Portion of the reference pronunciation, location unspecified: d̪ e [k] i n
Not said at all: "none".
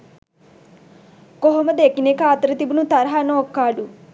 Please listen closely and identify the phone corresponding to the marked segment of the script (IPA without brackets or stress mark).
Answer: k